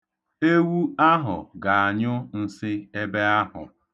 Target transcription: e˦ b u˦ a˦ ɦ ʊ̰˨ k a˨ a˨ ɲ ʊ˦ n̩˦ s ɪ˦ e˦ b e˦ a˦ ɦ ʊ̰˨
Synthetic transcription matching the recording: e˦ w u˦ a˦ ɦ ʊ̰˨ ɡ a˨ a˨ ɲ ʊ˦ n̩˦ s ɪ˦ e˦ b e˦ a˦ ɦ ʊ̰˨